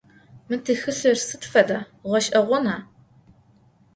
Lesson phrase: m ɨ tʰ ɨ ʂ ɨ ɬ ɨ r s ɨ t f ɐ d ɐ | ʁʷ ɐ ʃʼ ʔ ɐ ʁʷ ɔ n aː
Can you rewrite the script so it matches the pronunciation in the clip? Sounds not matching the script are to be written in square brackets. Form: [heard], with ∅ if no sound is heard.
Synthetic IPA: m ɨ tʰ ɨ [x] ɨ ɬ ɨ r s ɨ t f ɐ d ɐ | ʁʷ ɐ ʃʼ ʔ ɐ ʁʷ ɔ n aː